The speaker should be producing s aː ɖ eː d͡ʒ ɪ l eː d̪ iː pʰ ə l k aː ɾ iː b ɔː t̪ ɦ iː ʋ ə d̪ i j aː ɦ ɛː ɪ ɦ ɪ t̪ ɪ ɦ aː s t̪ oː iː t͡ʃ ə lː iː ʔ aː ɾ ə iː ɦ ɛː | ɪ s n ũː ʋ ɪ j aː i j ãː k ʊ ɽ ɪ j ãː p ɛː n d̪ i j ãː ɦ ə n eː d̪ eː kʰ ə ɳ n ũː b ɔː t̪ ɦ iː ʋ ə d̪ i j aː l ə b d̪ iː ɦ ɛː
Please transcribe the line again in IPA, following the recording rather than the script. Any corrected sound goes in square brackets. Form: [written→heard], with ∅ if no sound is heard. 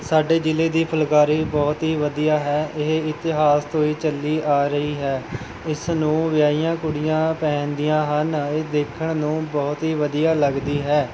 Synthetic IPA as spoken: s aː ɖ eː d͡ʒ ɪ l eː d̪ iː pʰ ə l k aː ɾ iː b ɔː t̪ ɦ iː ʋ ə d̪ i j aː ɦ ɛː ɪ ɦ ɪ t̪ ɪ ɦ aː s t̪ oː iː t͡ʃ ə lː iː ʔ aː ɾ ə iː ɦ ɛː | ɪ s n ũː ʋ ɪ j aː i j ãː k ʊ ɽ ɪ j ãː p ɛː n d̪ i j ãː ɦ ə n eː d̪ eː kʰ ə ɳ n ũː b ɔː t̪ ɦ iː ʋ ə d̪ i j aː l ə [b→ɡ] d̪ iː ɦ ɛː